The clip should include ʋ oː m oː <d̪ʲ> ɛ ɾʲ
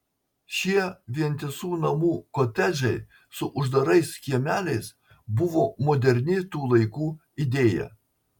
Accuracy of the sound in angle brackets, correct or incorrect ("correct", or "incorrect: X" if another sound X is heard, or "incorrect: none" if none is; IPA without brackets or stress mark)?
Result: correct